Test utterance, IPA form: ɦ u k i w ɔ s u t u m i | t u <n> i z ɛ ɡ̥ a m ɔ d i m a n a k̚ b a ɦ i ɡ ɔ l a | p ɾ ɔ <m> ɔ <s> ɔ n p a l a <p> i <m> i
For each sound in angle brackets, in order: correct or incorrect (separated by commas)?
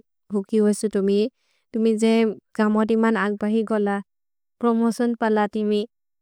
incorrect, correct, correct, incorrect, correct